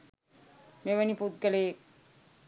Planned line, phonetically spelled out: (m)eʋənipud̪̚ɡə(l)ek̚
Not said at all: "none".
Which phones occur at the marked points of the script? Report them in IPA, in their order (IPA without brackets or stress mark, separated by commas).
m, l